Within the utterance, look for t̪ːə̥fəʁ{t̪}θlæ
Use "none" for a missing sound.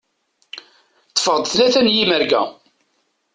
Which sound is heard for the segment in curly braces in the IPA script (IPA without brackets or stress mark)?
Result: d̪